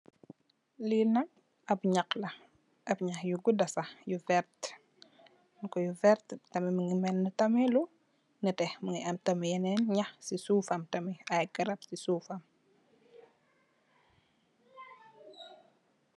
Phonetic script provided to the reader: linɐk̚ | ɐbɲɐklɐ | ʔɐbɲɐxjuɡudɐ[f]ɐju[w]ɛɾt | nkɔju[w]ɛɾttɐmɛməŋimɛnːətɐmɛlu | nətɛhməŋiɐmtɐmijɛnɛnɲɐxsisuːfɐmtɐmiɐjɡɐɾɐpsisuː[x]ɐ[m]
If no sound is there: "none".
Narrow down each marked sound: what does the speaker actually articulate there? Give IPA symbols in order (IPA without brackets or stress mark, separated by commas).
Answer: s, v, v, f, m